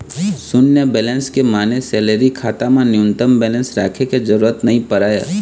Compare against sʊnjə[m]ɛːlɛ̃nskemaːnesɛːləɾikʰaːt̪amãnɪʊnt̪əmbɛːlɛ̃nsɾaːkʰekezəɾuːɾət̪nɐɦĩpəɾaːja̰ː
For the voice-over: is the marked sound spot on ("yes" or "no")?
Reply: no